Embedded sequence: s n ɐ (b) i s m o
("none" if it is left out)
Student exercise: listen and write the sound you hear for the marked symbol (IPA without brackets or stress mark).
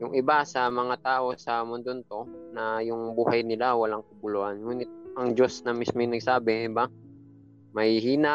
m